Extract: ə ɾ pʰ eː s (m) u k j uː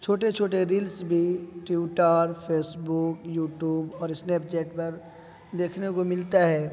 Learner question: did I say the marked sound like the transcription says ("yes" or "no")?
no